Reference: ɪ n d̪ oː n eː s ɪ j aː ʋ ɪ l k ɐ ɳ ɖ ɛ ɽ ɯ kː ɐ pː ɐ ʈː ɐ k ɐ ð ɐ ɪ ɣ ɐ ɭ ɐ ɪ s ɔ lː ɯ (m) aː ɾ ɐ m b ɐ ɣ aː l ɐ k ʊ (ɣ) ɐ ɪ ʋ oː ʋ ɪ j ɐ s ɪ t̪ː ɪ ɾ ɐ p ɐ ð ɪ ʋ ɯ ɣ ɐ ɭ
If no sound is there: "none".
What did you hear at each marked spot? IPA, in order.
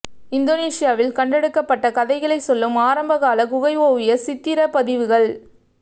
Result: m, ɣ

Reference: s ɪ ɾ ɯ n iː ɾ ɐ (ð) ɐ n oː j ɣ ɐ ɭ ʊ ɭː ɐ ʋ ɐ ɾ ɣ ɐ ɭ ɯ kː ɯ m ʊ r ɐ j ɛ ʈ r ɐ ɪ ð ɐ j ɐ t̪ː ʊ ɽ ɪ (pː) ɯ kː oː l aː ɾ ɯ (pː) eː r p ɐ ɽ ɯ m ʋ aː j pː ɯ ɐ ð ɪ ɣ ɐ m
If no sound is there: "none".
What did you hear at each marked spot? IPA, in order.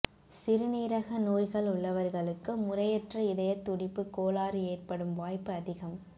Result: ɣ, pː, none

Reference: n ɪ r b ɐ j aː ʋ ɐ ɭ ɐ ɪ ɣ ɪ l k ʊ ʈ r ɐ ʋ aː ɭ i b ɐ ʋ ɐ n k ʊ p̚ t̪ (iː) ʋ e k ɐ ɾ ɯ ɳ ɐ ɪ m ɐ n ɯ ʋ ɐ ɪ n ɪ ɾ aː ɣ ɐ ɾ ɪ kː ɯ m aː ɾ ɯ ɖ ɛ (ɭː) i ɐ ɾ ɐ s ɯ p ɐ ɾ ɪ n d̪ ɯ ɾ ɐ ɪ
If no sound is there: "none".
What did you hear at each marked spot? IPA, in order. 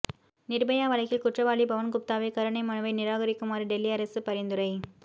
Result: aː, lː

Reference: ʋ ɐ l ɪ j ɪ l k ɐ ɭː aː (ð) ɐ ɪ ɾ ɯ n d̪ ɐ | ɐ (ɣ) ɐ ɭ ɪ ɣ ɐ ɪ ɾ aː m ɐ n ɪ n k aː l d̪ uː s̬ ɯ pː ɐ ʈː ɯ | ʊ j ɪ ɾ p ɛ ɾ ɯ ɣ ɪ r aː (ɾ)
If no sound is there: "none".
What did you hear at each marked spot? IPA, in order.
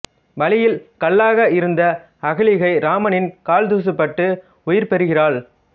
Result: ɣ, ɣ, ɭ

